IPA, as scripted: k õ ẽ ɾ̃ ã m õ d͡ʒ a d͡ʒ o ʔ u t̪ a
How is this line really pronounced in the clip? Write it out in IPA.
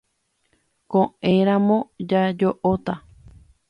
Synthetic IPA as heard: k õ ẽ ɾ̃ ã m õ d͡ʒ a d͡ʒ o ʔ o t̪ a